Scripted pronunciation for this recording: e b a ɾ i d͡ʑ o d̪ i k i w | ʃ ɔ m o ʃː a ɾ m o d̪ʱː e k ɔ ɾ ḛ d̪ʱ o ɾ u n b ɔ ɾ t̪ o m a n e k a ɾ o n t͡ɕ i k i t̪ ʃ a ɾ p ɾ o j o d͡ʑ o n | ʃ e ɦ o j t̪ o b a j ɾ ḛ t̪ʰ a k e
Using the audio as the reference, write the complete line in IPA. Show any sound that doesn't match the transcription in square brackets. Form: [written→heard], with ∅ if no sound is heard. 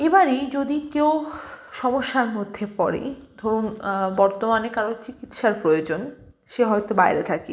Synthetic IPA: e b a ɾ i d͡ʑ o d̪ i k [i→e] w | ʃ ɔ m o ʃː a ɾ m o d̪ʱː e [k→p] ɔ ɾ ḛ d̪ʱ o ɾ u n b ɔ ɾ t̪ o m a n e k a ɾ o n t͡ɕ i k i t̪ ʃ a ɾ p ɾ o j o d͡ʑ o n | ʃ e ɦ [o→ɔ] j t̪ o b a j ɾ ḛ t̪ʰ a k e